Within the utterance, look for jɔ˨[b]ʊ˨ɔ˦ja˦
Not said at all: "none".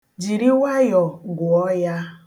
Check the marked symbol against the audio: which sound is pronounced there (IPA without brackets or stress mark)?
ɡ